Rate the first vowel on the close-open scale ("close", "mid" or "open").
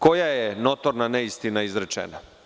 mid